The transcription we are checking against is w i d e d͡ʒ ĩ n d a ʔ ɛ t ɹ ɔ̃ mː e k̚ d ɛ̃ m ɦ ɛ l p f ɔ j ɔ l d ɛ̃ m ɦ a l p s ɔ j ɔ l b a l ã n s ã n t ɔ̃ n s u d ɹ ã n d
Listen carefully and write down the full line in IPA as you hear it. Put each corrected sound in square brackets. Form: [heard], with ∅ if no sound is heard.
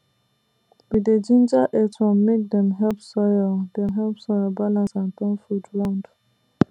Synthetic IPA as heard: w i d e d͡ʒ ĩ n [d͡ʒ] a ʔ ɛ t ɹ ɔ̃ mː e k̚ d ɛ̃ m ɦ ɛ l p [s] ɔ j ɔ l d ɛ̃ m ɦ [ɛ] l p s ɔ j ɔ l b a l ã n s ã n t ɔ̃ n [f] u d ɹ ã n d